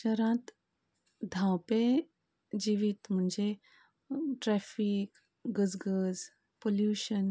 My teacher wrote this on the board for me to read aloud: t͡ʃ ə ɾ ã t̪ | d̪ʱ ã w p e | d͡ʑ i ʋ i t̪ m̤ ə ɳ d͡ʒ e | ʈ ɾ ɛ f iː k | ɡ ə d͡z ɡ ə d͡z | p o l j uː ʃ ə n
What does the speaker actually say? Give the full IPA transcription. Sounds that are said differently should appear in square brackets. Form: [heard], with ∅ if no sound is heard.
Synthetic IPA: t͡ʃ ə ɾ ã t̪ | d̪ʱ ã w p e | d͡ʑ i ʋ i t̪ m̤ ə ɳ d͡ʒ e | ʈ ɾ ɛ f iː k | ɡ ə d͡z ɡ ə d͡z | p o l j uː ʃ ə n